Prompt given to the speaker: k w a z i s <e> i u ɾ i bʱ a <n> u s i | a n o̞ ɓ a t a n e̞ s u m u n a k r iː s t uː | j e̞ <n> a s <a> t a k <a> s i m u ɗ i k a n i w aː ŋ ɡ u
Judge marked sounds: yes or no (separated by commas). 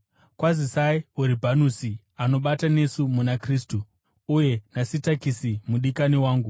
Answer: no, yes, yes, no, no